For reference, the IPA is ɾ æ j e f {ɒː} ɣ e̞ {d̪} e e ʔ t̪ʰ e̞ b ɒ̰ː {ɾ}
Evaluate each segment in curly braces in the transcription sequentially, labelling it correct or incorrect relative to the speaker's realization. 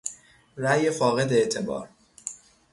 correct, correct, correct

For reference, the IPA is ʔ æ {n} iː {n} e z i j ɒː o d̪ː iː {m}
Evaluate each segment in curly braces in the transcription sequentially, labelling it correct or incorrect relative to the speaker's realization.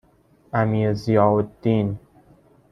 incorrect: m, incorrect: none, incorrect: n

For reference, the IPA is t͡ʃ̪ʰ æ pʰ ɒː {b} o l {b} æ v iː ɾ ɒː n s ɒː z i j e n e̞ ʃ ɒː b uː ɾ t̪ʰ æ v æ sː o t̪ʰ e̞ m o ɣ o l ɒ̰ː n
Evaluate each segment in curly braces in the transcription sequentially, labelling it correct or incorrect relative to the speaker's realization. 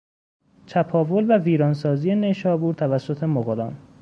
incorrect: v, incorrect: v

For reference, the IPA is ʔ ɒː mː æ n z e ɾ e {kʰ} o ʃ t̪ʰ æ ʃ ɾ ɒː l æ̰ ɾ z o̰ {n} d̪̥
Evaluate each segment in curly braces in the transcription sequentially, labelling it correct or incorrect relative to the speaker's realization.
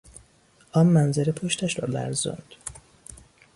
incorrect: pʰ, correct

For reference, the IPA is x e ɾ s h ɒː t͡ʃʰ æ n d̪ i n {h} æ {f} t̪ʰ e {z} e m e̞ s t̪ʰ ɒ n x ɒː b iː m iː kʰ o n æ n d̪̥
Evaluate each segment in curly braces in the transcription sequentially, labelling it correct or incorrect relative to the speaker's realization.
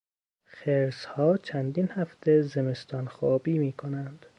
correct, correct, correct

